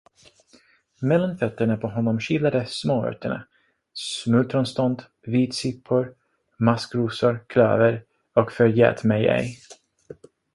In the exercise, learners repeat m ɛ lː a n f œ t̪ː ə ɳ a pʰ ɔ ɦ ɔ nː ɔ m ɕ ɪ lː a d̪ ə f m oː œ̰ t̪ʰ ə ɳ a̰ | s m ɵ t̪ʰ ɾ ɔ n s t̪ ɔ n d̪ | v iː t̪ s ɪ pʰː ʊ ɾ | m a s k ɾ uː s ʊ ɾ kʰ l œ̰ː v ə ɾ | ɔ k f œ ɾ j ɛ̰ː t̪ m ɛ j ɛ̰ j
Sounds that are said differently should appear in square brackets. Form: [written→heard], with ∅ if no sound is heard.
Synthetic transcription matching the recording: m ɛ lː a n f œ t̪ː ə ɳ a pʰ ɔ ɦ ɔ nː ɔ m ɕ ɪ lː a d̪ ə [f→s] m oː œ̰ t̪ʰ ə ɳ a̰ | s m ɵ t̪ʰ ɾ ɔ n s t̪ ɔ n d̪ | v iː t̪ s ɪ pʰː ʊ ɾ | m a s k ɾ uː s ʊ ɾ kʰ l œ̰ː v ə ɾ | ɔ k f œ ɾ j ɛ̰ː t̪ m ɛ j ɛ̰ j